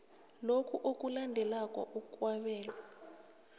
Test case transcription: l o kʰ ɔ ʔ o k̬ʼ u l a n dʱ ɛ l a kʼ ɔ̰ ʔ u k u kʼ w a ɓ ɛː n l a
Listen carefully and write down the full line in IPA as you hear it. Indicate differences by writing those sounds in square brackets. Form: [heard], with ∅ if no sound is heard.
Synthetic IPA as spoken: l o kʰ [u] ʔ o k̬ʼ u l a n dʱ ɛ l a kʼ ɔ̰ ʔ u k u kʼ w a ɓ ɛː [∅] l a